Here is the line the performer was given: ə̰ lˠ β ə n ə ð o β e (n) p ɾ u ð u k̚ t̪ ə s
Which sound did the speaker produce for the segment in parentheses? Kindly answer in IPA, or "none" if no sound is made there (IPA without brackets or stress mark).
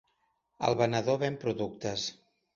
m